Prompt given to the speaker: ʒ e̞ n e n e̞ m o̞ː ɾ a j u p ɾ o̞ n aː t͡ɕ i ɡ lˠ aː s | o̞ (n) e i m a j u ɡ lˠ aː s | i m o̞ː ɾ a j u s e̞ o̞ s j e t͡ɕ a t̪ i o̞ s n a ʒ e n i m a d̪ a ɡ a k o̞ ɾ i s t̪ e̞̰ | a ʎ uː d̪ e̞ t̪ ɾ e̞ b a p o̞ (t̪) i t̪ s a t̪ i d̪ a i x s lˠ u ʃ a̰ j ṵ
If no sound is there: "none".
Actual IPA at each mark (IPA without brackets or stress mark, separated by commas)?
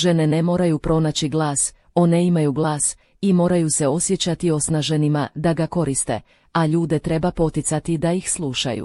n, t̪